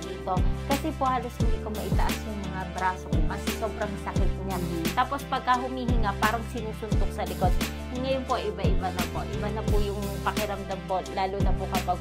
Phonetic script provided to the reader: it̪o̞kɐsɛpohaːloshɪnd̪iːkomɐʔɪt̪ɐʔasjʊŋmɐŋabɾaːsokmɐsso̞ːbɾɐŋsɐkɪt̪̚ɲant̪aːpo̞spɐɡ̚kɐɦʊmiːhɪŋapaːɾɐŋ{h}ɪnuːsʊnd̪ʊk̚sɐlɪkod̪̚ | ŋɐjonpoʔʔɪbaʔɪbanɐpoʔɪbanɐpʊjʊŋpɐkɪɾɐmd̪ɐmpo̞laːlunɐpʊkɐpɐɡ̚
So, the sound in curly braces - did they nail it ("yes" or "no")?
no